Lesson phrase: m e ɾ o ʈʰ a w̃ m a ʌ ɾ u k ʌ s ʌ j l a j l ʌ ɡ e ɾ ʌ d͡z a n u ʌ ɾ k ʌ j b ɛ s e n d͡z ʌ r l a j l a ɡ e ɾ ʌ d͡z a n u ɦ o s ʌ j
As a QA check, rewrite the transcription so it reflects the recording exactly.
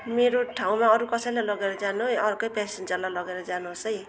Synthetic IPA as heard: m e ɾ o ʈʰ a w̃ m a ʌ ɾ u k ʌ s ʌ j l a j l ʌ ɡ e ɾ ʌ d͡z a n u ʌ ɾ k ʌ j p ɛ s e n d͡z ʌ r l a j l ʌ ɡ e ɾ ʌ d͡z a n u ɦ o s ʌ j